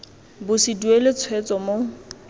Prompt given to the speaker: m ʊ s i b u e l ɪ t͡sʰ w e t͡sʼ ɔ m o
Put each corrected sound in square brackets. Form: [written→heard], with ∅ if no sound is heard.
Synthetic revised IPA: [m→b] ʊ s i [b→d] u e l ɪ t͡sʰ w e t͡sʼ ɔ m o